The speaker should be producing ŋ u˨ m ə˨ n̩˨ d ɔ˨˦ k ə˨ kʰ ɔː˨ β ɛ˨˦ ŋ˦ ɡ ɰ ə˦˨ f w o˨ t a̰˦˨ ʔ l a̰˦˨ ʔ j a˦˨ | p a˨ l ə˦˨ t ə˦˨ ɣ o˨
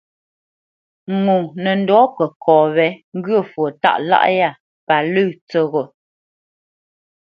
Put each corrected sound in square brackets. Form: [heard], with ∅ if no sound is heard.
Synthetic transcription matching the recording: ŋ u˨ [n] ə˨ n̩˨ d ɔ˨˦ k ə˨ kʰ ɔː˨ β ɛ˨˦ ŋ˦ ɡ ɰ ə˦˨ f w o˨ t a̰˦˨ ʔ l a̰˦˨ ʔ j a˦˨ | p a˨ l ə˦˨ [t͡s] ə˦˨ ɣ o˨